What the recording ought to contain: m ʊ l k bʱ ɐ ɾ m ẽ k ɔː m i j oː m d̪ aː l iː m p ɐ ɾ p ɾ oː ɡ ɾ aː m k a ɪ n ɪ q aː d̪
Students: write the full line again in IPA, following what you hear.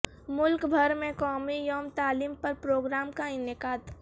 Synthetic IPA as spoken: m ʊ l k bʱ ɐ ɾ m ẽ k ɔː m i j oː m t̪ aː l iː m p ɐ ɾ p ɾ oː ɡ ɾ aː m k a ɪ n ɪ k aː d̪